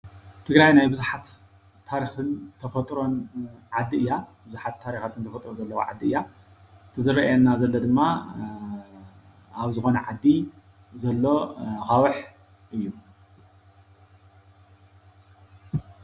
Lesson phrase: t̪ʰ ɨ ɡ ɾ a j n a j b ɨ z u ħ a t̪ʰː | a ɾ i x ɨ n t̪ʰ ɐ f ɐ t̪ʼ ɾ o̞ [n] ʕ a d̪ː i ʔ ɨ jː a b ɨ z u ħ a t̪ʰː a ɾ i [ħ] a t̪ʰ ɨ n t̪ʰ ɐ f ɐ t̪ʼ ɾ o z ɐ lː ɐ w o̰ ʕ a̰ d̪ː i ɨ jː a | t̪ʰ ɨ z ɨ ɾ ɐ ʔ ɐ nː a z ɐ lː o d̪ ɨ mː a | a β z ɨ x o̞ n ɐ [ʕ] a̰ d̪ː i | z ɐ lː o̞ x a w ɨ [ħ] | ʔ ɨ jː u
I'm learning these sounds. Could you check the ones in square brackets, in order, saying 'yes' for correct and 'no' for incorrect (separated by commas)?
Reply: yes, no, yes, yes